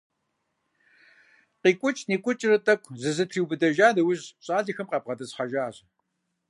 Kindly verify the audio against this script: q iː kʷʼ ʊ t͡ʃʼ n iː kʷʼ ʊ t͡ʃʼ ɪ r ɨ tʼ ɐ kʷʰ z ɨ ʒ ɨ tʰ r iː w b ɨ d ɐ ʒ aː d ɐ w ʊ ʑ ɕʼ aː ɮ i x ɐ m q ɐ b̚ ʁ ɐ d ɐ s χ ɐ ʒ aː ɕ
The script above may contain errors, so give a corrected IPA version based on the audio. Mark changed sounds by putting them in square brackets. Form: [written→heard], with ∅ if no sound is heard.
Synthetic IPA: q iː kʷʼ ʊ t͡ʃʼ n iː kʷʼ ʊ t͡ʃʼ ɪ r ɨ tʼ ɐ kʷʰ z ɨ [ʒ→z] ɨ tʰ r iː w b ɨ d ɐ ʒ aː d ɐ w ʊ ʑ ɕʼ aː ɮ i x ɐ m q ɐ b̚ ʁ ɐ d ɐ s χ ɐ ʒ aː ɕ